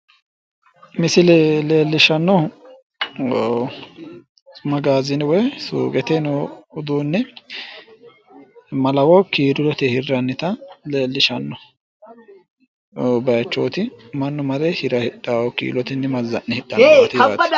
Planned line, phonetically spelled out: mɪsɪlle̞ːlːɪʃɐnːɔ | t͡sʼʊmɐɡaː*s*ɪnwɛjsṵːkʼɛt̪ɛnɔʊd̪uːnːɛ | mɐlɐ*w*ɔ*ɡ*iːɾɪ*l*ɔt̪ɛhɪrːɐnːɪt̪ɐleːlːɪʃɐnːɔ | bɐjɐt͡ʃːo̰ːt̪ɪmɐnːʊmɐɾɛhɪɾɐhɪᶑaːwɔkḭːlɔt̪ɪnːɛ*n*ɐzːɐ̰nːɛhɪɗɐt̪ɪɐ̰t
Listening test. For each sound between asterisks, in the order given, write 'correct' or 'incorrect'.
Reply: incorrect, correct, incorrect, correct, incorrect

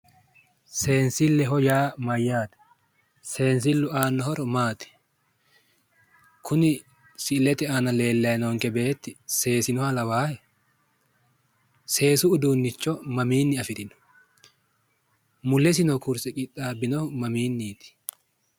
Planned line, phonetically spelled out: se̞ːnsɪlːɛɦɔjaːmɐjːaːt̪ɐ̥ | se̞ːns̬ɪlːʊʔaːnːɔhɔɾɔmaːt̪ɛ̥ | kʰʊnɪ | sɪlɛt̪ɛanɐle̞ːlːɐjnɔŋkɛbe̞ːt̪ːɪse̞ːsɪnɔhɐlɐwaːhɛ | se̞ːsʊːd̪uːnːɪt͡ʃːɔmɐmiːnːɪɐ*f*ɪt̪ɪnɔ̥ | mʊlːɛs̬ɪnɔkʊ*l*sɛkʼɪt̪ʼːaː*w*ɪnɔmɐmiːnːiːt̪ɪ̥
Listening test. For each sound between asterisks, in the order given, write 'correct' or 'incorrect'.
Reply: correct, incorrect, incorrect

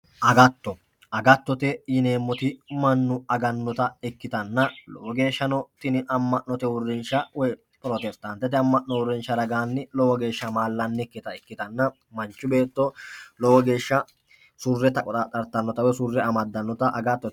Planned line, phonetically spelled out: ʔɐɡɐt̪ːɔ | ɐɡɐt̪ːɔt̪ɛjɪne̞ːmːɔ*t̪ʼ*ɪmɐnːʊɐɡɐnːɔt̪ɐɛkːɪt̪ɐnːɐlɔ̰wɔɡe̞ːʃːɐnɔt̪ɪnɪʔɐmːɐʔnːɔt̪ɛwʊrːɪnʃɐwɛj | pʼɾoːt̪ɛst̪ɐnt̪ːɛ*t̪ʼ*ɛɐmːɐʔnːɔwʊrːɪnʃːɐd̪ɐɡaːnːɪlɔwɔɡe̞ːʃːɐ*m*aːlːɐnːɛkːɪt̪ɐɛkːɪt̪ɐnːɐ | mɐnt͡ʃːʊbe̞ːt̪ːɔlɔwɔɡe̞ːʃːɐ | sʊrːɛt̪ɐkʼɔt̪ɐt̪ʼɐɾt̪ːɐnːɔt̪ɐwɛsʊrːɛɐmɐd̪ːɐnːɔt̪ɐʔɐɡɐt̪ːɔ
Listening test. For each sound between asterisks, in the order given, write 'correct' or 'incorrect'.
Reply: incorrect, incorrect, correct

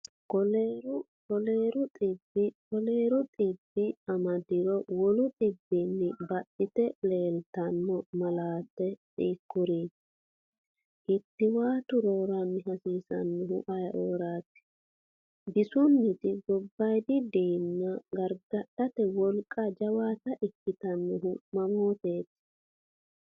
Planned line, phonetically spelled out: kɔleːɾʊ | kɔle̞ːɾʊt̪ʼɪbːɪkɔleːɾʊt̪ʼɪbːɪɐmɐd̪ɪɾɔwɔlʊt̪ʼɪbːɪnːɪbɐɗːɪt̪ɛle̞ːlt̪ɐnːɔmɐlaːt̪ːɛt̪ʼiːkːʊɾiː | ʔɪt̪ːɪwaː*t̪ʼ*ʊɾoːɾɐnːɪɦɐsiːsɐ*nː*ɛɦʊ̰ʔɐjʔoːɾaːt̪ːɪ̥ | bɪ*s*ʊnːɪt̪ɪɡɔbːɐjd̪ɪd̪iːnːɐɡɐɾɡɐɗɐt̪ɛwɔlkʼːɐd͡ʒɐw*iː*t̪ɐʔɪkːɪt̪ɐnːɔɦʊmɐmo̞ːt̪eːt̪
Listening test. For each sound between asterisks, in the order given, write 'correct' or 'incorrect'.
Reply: incorrect, correct, correct, incorrect

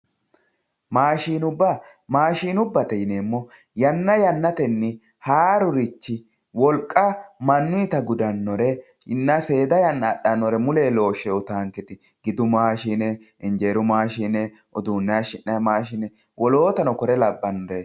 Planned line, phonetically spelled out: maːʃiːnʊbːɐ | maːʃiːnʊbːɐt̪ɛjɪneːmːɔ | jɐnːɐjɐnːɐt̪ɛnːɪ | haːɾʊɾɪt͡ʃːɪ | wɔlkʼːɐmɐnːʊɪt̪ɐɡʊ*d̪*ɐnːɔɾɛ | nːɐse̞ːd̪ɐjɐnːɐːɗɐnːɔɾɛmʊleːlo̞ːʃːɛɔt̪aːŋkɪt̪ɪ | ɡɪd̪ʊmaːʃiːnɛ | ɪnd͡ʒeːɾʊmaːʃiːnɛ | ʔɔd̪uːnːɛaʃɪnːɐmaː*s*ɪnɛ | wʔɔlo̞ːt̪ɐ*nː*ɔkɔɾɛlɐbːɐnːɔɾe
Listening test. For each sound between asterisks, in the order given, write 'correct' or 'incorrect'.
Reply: correct, incorrect, incorrect

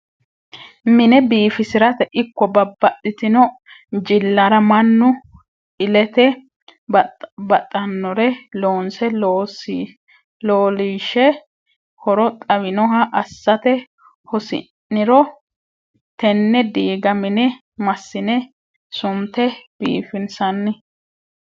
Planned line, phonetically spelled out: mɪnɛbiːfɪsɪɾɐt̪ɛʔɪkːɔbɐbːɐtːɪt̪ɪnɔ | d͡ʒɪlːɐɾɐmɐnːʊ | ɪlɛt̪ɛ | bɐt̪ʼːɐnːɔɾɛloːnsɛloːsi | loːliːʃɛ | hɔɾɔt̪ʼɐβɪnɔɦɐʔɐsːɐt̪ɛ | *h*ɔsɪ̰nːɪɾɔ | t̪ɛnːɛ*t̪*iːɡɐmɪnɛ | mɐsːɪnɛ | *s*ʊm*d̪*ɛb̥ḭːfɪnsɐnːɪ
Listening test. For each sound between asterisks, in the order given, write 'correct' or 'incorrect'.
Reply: correct, incorrect, correct, incorrect

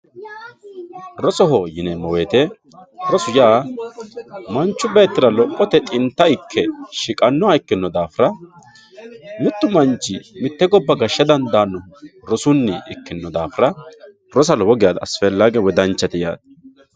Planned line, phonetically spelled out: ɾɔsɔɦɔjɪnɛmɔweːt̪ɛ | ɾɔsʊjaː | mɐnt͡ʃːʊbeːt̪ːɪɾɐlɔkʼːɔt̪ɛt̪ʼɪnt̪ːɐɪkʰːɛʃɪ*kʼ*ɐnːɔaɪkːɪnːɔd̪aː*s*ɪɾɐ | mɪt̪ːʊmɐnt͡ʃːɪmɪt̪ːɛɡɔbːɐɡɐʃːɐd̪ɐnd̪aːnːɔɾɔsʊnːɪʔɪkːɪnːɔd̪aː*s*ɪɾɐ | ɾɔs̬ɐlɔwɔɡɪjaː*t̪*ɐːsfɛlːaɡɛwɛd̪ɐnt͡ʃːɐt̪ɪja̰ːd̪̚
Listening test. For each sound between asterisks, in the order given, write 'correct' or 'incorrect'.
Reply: correct, incorrect, incorrect, incorrect

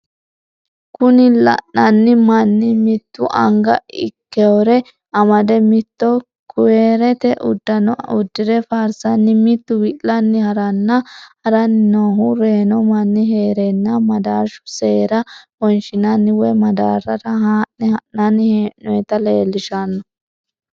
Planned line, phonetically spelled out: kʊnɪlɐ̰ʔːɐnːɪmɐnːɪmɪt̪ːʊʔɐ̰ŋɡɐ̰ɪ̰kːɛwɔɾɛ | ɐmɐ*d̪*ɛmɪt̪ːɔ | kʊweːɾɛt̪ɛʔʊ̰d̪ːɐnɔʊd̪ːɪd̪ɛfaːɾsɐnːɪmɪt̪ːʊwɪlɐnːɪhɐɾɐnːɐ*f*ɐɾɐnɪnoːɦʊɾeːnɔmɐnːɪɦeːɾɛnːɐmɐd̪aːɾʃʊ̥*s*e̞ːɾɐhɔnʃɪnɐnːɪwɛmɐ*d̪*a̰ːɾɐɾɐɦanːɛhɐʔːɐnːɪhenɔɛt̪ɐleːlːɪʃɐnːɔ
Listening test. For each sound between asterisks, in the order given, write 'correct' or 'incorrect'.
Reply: correct, incorrect, correct, correct

